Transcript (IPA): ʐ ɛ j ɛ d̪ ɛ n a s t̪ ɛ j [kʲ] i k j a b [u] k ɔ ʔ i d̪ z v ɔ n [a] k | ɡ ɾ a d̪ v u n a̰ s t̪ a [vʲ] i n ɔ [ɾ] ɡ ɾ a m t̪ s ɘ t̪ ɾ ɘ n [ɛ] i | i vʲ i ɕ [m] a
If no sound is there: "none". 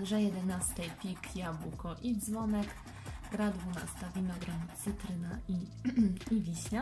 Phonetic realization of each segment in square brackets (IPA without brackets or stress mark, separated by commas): pʲ, u, ɛ, vʲ, none, a, ɲ